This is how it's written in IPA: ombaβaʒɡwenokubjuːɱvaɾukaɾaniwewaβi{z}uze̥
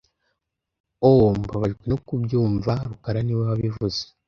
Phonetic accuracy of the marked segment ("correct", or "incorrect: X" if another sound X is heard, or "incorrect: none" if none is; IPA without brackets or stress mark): incorrect: v